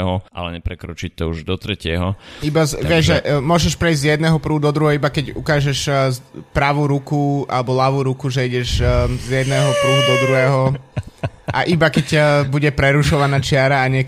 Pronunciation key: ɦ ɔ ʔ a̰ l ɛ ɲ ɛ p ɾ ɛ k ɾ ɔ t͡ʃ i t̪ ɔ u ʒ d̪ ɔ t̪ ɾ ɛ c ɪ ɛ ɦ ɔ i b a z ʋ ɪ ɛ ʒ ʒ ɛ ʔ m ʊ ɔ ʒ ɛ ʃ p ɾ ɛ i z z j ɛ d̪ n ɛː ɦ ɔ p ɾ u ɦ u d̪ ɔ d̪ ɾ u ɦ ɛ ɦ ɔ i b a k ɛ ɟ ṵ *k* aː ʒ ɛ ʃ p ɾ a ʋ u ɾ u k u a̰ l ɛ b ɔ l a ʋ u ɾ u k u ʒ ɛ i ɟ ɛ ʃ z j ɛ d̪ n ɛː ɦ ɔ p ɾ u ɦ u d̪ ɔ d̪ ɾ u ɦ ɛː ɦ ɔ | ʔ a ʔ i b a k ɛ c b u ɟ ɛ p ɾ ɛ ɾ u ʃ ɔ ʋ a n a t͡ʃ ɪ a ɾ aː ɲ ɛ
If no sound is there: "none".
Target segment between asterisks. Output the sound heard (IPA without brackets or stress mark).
k